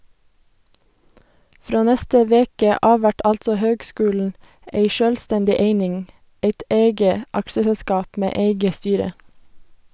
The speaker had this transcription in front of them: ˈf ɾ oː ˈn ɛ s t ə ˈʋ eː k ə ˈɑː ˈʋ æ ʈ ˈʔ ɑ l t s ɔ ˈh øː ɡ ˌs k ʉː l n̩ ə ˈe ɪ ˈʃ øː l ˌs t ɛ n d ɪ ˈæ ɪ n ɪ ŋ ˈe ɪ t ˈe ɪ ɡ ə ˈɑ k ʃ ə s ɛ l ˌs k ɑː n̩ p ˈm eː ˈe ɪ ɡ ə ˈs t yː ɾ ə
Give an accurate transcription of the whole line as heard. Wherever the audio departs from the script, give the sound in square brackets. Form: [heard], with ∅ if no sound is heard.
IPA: ˈf ɾ oː ˈn ɛ s t ə ˈʋ eː k ə ˈɑː ˈʋ æ ʈ ˈʔ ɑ l t s ɔ ˈh øː ɡ ˌs k ʉː l n̩ ə ˈe ɪ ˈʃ øː l ˌs t ɛ n d ɪ [ˈe] ɪ n ɪ ŋ ˈe ɪ t ˈe ɪ ɡ ə ˈɑ k ʃ ə s ɛ l ˌs k ɑː [∅] p ˈm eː ˈe ɪ ɡ ə ˈs t yː ɾ ə